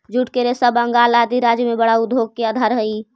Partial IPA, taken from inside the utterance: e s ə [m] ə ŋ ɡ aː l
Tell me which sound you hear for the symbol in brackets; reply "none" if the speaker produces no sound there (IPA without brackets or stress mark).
b